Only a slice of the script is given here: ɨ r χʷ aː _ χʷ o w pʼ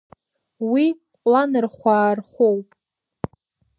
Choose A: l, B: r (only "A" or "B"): B